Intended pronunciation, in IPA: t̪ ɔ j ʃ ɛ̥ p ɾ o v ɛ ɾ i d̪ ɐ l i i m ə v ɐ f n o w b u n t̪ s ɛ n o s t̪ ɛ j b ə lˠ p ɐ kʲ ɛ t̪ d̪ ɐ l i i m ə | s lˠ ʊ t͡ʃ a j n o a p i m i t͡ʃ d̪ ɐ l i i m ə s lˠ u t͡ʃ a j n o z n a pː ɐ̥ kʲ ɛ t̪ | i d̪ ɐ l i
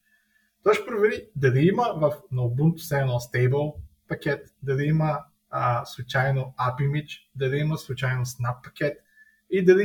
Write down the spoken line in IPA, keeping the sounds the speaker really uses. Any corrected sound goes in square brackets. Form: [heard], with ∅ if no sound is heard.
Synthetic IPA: t̪ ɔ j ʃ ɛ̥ p ɾ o v ɛ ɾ i d̪ ɐ l i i m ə v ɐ f n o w b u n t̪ s ɛ n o s t̪ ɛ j b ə lˠ p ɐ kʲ ɛ t̪ d̪ ɐ l i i m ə | s lˠ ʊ t͡ʃ a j n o a p i m i t͡ʃ d̪ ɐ l i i m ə s lˠ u t͡ʃ a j n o [s] n a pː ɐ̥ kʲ ɛ t̪ | i d̪ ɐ l i